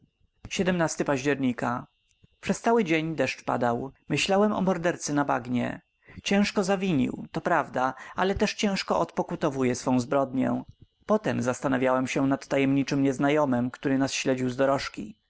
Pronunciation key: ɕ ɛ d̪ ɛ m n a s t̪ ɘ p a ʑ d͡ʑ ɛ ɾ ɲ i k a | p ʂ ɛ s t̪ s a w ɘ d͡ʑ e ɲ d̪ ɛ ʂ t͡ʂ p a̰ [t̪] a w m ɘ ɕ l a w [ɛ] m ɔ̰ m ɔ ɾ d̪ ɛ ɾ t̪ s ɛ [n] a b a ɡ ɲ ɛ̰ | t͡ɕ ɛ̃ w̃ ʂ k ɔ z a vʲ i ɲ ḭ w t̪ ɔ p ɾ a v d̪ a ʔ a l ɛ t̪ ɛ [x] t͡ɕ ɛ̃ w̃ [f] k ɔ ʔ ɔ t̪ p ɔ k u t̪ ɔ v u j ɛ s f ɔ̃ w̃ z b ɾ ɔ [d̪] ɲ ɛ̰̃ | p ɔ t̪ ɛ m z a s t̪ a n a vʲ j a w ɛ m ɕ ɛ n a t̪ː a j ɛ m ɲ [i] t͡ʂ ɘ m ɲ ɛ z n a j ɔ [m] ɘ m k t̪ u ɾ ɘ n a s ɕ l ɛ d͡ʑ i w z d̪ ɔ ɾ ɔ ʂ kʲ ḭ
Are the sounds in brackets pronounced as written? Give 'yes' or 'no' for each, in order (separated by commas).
no, yes, yes, no, no, yes, yes, yes